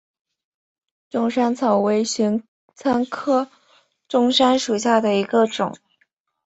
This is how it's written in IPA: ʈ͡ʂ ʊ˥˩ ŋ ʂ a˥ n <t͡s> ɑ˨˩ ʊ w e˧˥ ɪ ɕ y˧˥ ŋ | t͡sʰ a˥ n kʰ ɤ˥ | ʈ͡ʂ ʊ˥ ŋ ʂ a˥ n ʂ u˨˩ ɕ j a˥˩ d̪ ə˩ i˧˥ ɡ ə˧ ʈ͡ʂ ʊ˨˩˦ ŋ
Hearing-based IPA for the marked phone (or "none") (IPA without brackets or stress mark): t͡sʰ